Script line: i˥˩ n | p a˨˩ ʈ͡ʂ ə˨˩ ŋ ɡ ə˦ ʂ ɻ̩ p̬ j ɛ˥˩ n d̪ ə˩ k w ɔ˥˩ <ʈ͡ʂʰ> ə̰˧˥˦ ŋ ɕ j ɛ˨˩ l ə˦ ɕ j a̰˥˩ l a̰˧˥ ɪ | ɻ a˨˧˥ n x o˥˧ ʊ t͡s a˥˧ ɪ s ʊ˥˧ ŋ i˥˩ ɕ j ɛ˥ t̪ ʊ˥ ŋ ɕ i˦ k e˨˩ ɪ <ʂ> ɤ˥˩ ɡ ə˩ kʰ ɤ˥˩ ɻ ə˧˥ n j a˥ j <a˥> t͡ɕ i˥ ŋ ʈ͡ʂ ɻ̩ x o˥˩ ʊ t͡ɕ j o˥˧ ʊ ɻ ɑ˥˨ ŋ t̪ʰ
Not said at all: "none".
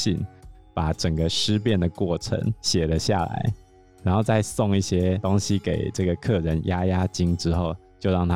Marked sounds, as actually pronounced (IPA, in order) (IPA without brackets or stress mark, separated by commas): ʈ͡ʂʰ, ʈ͡ʂ, a˥